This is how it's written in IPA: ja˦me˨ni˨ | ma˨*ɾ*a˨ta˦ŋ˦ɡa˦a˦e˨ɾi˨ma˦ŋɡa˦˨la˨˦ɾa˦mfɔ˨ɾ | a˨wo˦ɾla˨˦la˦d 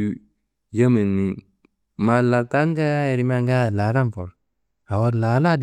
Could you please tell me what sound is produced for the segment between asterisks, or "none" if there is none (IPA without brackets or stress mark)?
l